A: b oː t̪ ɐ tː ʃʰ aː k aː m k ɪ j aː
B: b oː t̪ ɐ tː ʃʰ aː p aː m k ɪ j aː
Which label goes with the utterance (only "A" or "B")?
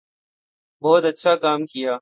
A